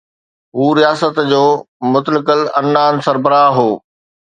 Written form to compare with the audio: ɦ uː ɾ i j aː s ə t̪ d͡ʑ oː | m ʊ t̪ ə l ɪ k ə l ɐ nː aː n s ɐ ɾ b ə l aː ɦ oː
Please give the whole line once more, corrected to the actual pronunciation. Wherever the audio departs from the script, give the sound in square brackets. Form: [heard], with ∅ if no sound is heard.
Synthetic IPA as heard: ɦ uː ɾ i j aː s ə t̪ d͡ʑ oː | m ʊ t̪ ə l ɪ k ə l ɐ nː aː n s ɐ ɾ b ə [ɾ] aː ɦ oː